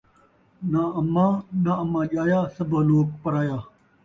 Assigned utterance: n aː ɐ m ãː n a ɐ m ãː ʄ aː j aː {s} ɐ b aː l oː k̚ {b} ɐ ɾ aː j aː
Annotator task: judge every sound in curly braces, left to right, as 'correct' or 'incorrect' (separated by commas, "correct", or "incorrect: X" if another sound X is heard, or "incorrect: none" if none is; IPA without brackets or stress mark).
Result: correct, incorrect: p